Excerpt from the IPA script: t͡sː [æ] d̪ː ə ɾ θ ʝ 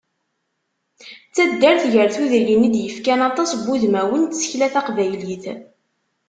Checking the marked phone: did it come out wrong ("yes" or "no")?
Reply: no